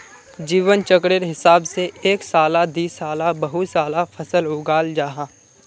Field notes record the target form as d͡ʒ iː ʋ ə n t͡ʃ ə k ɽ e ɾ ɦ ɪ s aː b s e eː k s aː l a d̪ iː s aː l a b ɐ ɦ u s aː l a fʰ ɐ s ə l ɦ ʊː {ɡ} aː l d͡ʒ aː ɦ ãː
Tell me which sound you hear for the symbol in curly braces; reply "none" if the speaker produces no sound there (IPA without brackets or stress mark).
ɡ